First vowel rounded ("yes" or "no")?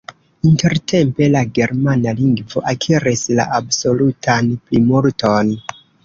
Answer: no